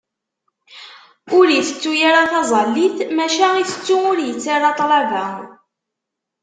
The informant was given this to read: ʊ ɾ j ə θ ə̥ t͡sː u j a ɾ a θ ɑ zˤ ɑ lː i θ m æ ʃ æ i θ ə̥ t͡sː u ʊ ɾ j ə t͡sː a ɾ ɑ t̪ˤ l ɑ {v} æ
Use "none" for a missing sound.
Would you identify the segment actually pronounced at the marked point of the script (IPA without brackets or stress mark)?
v